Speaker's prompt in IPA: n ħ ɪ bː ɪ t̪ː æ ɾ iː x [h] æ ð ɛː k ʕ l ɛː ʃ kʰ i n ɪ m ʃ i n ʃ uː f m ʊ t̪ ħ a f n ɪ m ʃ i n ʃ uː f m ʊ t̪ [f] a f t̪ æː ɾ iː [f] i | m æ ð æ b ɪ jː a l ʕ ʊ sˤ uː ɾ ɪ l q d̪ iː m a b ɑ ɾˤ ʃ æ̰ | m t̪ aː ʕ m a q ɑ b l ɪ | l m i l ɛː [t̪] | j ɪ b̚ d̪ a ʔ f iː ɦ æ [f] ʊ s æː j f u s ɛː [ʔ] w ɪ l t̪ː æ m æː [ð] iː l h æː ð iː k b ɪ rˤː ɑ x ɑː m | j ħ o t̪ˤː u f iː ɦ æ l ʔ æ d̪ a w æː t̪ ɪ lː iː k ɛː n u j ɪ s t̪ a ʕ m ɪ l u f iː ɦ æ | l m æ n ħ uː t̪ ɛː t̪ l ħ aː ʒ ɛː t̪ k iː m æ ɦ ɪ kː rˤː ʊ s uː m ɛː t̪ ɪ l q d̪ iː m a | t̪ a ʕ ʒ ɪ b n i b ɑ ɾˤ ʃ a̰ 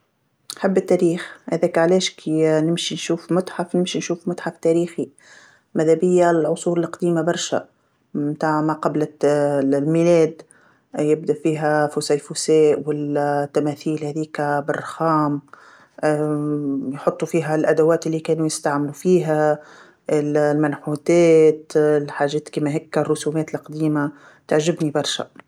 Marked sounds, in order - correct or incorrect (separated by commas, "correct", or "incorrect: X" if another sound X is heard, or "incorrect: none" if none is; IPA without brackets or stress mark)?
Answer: correct, incorrect: ħ, incorrect: x, incorrect: d̪, correct, correct, incorrect: θ